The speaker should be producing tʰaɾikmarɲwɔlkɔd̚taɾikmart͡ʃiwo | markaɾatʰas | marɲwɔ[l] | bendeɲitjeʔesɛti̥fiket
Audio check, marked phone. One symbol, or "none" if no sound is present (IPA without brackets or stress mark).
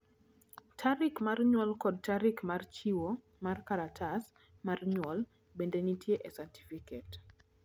l